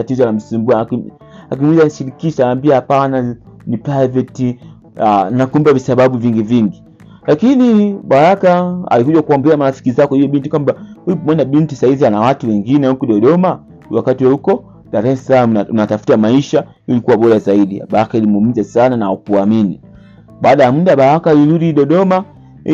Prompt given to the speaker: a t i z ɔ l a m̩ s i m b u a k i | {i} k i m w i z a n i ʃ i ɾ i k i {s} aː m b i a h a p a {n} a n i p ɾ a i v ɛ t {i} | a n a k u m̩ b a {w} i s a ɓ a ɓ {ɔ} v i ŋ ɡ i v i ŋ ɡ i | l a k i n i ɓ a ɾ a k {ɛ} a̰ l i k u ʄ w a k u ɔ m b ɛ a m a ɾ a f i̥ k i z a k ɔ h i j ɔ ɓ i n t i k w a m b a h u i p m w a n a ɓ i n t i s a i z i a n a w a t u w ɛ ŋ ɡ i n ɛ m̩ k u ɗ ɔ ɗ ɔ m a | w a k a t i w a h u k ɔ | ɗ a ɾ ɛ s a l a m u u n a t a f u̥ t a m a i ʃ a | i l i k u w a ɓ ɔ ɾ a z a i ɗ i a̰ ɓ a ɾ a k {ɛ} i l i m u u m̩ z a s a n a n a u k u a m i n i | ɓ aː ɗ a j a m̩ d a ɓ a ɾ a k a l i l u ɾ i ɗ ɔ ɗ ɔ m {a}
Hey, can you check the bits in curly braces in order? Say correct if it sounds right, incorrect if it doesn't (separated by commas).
incorrect, incorrect, correct, correct, incorrect, incorrect, incorrect, incorrect, correct